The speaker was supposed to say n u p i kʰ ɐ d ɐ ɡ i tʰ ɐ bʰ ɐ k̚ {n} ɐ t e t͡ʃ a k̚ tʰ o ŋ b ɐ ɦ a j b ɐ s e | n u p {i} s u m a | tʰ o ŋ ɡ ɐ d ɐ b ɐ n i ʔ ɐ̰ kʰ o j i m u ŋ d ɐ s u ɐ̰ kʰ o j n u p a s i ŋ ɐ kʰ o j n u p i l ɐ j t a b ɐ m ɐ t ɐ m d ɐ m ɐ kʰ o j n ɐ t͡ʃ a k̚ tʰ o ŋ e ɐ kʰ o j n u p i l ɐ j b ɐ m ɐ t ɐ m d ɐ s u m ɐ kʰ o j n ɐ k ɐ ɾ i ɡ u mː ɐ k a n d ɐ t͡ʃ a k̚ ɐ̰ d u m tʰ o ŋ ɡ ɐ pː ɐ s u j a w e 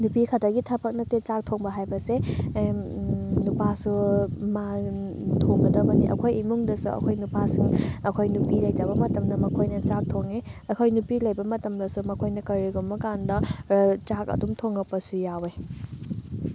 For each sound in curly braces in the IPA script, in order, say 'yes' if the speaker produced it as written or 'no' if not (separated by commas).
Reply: yes, no